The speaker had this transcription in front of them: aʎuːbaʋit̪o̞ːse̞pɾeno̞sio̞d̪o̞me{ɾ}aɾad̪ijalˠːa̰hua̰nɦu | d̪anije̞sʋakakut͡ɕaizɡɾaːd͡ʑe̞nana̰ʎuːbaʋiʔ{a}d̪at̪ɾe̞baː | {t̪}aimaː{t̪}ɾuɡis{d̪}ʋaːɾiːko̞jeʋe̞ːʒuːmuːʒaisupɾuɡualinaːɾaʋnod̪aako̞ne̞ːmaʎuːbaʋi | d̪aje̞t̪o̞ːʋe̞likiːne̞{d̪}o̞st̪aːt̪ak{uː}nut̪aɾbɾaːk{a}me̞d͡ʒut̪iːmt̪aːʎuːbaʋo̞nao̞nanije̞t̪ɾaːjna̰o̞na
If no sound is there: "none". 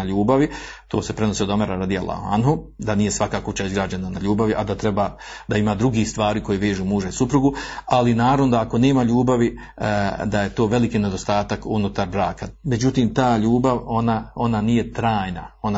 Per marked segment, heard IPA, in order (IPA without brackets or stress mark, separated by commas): ɾ, a, d̪, d̪, t̪, d̪, u, a